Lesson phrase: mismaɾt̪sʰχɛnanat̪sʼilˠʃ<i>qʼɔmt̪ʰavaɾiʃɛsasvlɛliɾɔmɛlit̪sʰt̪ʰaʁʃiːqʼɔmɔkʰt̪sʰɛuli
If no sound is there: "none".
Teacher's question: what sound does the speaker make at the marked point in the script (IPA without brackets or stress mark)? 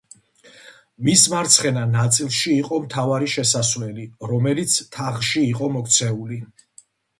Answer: iː